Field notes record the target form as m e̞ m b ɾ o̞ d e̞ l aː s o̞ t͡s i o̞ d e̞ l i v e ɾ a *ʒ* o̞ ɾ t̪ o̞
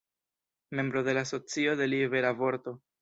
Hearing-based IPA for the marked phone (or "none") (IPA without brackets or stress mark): v